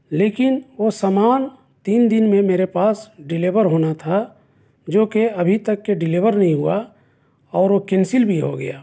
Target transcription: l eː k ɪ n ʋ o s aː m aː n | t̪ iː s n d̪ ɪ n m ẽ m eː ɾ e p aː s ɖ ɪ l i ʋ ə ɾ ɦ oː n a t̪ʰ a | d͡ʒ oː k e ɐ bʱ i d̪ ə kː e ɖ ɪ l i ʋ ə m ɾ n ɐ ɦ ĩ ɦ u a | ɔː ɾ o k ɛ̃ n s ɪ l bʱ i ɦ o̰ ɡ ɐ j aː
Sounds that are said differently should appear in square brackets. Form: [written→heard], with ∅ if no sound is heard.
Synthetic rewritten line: l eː k ɪ n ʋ o s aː m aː n | t̪ iː [s→∅] n d̪ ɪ n m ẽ m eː ɾ e p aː s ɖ ɪ l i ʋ ə ɾ ɦ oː n a t̪ʰ a | d͡ʒ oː k e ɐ bʱ i [d̪→t̪] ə kː e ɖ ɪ l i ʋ ə [m→∅] ɾ n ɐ ɦ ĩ ɦ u a | ɔː ɾ o k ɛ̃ n s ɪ l bʱ i ɦ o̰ ɡ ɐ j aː